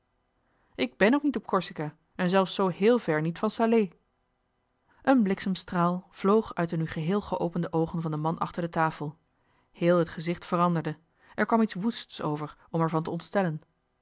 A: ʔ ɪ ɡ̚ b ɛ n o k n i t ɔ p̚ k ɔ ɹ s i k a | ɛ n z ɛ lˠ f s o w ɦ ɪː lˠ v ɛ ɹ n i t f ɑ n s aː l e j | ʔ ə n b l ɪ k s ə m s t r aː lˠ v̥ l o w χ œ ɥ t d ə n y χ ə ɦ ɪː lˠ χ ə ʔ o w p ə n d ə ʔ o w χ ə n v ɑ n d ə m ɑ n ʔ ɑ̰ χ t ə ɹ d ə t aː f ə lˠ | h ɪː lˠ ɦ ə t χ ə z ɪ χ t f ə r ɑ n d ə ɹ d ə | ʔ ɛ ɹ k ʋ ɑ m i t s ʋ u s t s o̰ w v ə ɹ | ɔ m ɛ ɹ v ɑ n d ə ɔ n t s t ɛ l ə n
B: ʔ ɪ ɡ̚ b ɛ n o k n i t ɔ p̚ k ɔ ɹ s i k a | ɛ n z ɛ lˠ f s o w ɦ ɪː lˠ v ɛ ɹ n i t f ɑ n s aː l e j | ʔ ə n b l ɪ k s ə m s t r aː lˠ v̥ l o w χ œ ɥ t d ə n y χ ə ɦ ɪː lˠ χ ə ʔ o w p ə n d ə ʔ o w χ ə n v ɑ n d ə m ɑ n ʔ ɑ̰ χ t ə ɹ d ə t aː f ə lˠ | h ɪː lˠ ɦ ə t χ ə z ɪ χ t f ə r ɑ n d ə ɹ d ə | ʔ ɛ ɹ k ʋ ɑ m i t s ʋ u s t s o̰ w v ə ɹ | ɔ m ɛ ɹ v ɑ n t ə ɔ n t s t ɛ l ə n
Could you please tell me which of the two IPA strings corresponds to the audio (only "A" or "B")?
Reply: B